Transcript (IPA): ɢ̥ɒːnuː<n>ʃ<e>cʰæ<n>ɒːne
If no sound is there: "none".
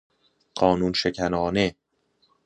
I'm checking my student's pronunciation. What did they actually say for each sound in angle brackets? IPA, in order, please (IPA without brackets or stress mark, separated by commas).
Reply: n, e, n